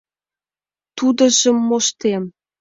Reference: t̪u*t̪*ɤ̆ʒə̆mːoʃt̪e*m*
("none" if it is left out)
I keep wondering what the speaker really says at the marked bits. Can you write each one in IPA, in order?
d̪, m

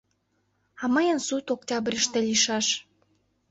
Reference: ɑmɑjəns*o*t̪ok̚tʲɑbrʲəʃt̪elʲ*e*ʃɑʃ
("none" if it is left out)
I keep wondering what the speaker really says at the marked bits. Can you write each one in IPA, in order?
u, i

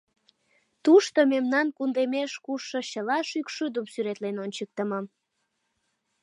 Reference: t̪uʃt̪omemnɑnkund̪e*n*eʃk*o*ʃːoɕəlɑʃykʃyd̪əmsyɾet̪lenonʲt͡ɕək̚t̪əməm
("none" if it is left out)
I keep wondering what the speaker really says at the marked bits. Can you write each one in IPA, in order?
m, u

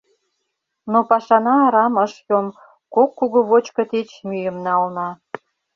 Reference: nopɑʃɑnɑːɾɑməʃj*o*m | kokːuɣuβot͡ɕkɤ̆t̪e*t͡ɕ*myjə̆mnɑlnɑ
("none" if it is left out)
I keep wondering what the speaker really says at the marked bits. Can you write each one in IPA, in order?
o, t͡ɕ

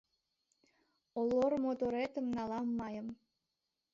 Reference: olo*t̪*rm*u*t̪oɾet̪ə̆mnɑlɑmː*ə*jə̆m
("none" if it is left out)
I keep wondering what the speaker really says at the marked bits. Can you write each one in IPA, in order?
none, o, ɑ

